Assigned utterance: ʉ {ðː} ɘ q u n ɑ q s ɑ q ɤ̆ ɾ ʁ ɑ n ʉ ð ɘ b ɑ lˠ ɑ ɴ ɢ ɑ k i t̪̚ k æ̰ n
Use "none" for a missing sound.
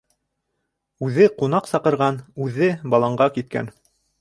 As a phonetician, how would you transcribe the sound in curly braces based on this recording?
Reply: ð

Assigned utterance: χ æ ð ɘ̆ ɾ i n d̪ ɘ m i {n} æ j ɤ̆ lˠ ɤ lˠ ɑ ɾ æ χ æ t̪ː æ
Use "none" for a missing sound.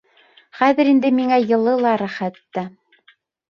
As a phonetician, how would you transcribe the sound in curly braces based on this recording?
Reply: ŋ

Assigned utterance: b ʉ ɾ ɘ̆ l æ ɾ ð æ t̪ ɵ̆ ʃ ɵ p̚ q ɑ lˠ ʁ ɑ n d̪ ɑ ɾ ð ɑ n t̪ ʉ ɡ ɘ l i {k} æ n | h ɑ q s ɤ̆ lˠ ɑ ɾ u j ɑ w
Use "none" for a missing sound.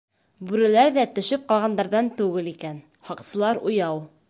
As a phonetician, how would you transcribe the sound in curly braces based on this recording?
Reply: k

